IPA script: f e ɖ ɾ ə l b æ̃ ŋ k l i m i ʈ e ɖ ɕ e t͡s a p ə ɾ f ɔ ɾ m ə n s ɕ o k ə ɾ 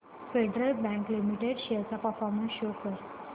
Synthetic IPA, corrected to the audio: f e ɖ ɾ ə l b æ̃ ŋ k l i m i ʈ e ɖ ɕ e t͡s a p ə ɾ f ɔ ɾ m ə n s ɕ o k ə ɾ